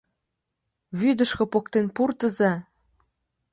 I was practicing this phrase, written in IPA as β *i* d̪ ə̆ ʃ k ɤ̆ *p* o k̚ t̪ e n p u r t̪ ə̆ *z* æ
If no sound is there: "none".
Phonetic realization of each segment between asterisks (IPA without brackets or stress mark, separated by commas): y, p, z